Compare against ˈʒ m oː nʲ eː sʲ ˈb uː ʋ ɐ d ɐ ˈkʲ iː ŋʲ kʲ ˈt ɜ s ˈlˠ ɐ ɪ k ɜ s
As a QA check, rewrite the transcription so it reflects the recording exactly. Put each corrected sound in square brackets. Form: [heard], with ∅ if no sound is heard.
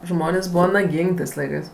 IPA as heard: ˈʒ m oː nʲ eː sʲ ˈb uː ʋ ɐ [n] ɐ [ˈɡʲ] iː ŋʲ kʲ ˈt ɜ s ˈlˠ ɐ ɪ k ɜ s